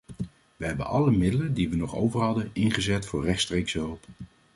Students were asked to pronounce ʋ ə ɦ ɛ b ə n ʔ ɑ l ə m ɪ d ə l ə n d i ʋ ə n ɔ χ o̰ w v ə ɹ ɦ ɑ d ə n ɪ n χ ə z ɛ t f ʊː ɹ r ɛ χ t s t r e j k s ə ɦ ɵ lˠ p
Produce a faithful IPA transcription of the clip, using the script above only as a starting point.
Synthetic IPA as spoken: ʋ ə ɦ ɛ b ə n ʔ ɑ l ə m ɪ d ə l ə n d i ʋ ə n ɔ χ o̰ w v ə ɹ ɦ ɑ d ə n ɪ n χ ə z ɛ t f ʊː ɹ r ɛ χ t s t r e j k s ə ɦ ɵ lˠ p